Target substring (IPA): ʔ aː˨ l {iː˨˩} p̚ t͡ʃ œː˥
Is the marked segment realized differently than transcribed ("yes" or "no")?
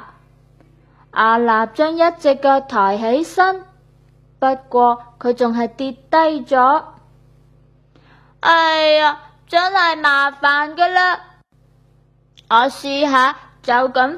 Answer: yes